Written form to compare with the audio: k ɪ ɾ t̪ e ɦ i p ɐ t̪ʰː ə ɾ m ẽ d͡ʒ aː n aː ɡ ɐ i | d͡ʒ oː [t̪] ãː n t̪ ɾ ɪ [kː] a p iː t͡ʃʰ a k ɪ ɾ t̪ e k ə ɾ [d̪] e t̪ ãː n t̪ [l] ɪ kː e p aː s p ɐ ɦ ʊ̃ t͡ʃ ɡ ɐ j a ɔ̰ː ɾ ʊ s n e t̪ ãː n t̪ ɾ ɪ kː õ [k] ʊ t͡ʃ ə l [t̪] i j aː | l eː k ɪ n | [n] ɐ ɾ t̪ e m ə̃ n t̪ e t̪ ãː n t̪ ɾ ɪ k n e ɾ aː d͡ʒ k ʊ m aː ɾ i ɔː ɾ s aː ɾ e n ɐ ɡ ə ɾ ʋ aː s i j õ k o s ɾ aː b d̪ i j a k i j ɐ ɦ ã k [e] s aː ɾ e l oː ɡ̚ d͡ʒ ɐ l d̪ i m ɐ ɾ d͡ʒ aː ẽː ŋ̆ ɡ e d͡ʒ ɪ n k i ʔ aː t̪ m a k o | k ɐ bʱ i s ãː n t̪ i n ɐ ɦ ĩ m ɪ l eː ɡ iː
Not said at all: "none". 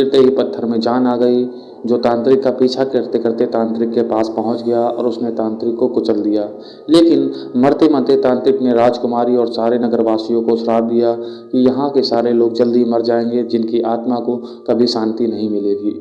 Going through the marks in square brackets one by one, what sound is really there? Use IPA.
t̪, kː, t̪, ɾ, k, d̪, m, e

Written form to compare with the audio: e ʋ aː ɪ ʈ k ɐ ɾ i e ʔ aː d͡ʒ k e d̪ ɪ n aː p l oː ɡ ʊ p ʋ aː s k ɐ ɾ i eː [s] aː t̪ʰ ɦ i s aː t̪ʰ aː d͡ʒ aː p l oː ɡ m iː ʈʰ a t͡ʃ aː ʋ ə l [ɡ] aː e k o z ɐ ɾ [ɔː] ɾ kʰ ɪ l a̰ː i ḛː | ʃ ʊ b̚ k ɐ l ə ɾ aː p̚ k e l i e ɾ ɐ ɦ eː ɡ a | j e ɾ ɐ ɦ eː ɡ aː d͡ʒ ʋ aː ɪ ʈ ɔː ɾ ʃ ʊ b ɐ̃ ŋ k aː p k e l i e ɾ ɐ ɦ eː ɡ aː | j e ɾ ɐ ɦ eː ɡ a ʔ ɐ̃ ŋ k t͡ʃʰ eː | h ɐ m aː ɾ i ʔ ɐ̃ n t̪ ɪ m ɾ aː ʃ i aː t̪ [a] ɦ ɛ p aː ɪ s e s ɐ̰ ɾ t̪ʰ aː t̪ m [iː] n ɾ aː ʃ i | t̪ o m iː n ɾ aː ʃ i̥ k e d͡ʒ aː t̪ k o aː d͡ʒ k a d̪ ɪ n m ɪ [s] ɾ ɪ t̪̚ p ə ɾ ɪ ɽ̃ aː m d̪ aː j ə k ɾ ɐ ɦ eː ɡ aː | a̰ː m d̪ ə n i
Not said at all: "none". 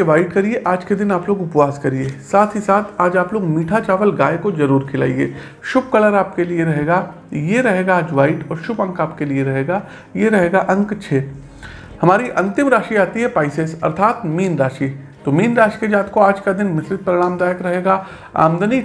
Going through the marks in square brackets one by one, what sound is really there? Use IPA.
s, ɡ, uː, i, iː, s

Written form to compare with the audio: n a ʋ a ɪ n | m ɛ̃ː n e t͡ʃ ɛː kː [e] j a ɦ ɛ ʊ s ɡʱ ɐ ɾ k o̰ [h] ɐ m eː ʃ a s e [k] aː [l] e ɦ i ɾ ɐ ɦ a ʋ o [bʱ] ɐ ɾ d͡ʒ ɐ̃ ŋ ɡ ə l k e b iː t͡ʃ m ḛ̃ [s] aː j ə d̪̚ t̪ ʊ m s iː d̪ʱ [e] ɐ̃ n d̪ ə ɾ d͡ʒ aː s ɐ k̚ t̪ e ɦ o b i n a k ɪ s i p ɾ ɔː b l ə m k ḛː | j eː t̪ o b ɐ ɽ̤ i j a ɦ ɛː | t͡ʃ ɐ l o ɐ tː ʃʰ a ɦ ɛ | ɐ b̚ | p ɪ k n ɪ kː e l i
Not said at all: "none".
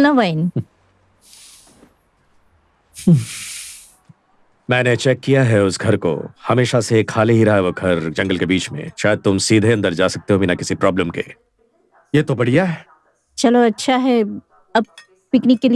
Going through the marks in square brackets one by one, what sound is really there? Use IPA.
i, h, kʰ, l, ɡʱ, ʃ, e

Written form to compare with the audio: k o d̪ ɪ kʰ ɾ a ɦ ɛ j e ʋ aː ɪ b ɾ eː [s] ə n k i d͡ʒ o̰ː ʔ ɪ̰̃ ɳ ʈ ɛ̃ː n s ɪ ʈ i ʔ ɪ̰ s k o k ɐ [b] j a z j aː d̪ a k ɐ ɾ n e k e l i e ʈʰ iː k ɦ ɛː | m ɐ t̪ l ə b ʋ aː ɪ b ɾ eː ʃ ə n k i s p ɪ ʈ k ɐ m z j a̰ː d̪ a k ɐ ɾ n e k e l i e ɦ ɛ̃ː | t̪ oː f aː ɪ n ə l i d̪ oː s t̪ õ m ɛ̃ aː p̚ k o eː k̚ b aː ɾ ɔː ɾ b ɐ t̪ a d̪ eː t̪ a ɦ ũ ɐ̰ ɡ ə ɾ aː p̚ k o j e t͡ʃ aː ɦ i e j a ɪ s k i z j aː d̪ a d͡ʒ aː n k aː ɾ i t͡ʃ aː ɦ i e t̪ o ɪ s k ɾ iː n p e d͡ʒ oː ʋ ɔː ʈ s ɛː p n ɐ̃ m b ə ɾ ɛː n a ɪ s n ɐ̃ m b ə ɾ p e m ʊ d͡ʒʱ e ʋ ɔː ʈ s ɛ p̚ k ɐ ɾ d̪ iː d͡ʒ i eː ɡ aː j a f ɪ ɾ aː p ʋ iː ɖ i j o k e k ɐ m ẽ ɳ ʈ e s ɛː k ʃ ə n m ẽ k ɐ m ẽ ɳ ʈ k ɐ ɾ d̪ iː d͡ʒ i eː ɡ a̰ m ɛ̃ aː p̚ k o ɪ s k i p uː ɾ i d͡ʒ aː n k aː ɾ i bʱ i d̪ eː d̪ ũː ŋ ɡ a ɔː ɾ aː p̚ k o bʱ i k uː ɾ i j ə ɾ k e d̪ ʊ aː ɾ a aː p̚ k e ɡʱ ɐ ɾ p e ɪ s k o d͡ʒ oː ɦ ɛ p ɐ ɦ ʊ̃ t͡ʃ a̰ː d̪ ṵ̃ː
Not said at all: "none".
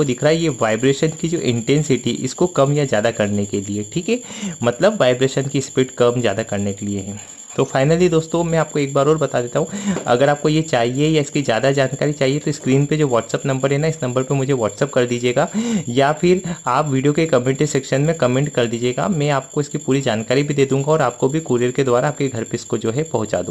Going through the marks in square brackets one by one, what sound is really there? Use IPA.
ʃ, m

